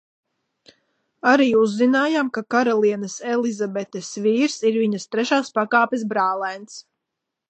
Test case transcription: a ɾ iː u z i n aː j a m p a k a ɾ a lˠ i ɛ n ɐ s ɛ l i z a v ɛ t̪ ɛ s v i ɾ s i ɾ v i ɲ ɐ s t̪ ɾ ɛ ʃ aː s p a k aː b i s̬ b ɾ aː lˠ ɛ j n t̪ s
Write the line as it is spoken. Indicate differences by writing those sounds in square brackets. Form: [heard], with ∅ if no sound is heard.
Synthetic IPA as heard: a ɾ iː u [zː] i n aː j a m [k] a k a ɾ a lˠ i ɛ n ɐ s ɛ l i z a [b] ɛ t̪ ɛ s v [iː] ɾ s i ɾ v i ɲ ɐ s t̪ ɾ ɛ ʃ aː s p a k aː [p] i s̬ b ɾ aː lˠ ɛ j n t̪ s